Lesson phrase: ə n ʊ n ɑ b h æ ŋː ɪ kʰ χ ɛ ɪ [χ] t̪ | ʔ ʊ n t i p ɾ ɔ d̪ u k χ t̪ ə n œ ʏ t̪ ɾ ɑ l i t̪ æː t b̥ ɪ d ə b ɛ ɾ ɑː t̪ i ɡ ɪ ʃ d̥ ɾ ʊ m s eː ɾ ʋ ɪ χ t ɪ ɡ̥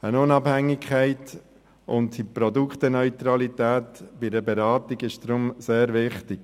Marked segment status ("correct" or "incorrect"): incorrect